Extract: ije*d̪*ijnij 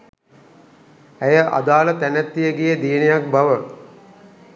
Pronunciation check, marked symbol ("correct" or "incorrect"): correct